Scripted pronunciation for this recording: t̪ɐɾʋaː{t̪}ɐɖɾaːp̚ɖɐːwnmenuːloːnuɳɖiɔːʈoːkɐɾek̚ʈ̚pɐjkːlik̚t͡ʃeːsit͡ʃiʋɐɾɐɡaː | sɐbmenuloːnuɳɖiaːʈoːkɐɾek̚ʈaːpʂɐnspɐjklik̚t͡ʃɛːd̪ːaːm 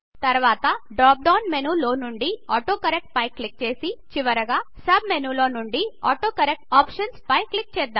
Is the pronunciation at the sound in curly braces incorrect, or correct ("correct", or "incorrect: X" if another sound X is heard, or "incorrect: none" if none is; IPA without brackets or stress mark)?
correct